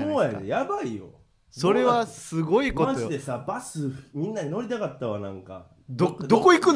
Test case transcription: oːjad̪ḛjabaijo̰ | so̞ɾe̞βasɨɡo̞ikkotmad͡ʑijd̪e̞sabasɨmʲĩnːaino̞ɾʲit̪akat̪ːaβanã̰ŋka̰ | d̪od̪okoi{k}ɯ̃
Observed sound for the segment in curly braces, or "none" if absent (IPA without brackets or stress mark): k